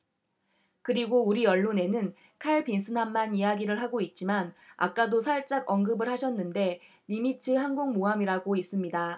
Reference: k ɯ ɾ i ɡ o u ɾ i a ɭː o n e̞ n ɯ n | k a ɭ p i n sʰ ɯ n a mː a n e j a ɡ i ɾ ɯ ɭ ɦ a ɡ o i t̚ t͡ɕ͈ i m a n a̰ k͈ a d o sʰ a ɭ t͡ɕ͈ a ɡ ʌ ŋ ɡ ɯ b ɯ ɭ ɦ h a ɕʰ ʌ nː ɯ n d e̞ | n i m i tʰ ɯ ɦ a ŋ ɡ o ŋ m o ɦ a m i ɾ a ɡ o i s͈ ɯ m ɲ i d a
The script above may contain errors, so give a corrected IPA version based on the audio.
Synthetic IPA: k ɯ ɾ i ɡ o u ɾ i ʌ ɭː o n e̞ n ɯ n | kʰ a ɭ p i n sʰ ɯ n a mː a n i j a ɡ i ɾ ɯ ɭ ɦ a ɡ o i t̚ t͡ɕ͈ i m a n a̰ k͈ a d o sʰ a ɭ t͡ɕ͈ a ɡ ʌ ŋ ɡ ɯ b ɯ ɭ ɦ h a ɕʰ ʌ nː ɯ n d e̞ | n i m i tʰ ɯ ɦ a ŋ ɡ o ŋ m o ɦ a m i ɾ a ɡ o i s͈ ɯ m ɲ i d a